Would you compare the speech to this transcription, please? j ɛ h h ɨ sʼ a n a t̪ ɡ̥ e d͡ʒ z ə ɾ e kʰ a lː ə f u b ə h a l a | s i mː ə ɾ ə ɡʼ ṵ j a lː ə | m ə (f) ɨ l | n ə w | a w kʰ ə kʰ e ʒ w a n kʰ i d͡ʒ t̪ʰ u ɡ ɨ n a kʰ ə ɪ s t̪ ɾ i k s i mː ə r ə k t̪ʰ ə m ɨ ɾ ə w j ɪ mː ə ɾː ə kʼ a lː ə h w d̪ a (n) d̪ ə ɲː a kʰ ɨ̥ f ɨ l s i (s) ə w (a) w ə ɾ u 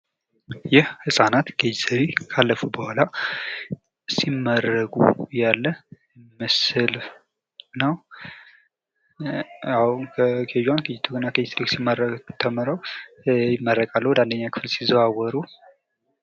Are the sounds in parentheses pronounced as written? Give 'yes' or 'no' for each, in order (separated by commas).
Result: no, yes, no, yes